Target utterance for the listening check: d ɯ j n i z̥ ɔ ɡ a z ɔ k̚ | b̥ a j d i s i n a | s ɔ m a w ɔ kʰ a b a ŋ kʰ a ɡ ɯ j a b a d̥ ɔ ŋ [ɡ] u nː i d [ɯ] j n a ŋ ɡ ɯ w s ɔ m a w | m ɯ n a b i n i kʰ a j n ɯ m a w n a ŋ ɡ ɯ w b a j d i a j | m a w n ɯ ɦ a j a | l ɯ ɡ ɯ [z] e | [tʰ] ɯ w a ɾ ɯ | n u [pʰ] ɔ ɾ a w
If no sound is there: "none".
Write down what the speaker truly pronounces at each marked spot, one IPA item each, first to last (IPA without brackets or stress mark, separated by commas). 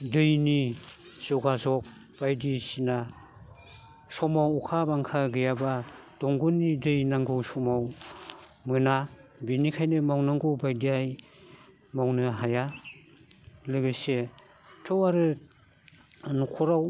ɡ, ɯ, s, tʰ, kʰ